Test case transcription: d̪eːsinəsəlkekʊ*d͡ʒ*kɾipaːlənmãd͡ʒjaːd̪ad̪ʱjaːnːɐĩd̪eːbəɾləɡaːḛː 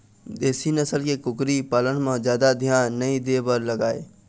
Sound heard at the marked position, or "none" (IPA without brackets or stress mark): none